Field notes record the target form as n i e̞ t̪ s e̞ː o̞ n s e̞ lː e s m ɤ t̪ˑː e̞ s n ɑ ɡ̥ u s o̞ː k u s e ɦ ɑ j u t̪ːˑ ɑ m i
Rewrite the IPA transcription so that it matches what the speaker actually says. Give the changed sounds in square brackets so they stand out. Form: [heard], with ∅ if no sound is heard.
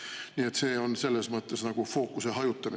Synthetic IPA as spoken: n i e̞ t̪ s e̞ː o̞ n s e̞ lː e s m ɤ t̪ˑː e̞ s n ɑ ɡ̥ u [f] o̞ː k u s e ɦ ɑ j u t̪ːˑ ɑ m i